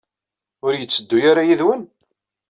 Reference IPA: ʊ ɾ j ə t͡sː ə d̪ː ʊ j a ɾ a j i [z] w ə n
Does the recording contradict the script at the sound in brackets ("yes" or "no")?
yes